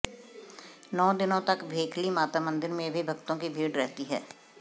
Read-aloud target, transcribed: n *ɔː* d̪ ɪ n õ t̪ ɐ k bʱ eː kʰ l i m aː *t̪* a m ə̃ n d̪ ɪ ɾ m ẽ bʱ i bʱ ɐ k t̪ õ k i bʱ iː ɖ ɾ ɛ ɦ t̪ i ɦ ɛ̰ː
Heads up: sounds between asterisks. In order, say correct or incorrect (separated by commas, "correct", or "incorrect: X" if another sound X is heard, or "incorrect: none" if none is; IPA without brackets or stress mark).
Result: correct, correct